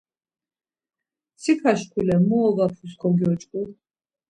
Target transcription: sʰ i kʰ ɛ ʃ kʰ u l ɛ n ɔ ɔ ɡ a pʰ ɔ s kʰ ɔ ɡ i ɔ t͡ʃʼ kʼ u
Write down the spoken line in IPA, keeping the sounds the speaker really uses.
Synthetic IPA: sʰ i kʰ a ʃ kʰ u l ɛ m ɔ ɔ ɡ a pʰ u s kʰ ɔ ɡ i ɔ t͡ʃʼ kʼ u